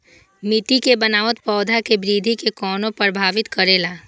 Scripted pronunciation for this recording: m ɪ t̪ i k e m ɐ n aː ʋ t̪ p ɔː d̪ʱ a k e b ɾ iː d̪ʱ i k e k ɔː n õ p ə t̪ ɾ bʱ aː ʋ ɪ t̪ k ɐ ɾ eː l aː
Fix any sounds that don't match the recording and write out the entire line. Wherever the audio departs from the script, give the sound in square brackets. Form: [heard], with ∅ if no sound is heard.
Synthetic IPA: m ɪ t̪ i k e [b] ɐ n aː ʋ t̪ p ɔː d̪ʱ a k e b ɾ iː d̪ʱ i k e k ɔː n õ p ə [∅] ɾ bʱ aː ʋ ɪ t̪ k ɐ ɾ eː l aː